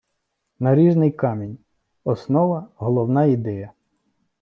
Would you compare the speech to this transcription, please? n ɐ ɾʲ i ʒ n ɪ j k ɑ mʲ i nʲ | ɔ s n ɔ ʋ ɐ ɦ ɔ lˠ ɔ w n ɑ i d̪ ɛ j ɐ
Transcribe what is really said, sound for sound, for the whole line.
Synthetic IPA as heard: n ɐ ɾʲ i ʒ n ɪ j k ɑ mʲ i nʲ | ɔ s n ɔ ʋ ɐ ɦ ɔ lˠ ɔ w n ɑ i d̪ ɛ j ɐ